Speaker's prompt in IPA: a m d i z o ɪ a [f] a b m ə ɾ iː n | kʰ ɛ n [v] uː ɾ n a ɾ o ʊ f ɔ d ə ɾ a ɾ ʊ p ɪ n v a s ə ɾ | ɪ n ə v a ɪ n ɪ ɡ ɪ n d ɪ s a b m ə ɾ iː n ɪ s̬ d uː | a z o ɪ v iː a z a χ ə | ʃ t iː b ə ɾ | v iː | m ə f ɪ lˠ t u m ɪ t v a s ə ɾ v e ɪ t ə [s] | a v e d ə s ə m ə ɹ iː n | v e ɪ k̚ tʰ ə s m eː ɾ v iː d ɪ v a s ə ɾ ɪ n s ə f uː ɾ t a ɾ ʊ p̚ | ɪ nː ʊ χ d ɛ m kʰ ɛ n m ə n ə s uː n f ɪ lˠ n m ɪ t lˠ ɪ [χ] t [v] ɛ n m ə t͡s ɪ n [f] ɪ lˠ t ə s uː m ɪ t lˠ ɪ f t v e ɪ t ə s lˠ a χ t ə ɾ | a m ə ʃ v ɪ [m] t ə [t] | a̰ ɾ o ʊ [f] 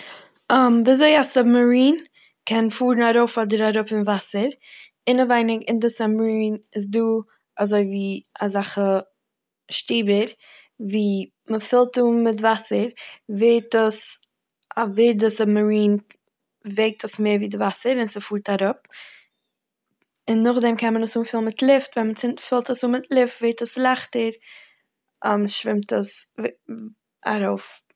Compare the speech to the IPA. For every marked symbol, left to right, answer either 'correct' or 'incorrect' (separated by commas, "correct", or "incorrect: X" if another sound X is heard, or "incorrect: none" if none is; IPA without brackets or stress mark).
incorrect: s, incorrect: f, correct, incorrect: f, correct, correct, correct, incorrect: s, correct